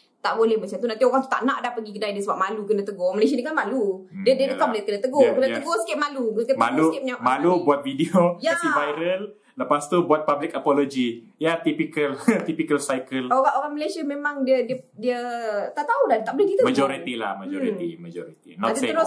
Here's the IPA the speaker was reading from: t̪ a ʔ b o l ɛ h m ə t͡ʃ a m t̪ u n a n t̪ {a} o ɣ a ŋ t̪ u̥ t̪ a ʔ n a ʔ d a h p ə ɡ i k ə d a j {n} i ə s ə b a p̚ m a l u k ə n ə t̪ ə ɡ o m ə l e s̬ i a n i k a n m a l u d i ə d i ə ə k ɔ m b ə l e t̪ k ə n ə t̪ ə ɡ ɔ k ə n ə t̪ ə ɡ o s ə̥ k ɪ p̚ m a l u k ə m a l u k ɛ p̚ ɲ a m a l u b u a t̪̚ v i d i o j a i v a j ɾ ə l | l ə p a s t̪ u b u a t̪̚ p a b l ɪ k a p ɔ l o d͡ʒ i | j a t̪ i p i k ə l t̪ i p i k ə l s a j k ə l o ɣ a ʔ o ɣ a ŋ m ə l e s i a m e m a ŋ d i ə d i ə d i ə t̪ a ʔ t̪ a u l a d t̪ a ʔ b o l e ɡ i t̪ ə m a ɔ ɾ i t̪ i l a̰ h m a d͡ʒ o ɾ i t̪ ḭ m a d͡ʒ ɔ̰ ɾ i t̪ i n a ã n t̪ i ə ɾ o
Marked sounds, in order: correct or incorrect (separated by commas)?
incorrect, incorrect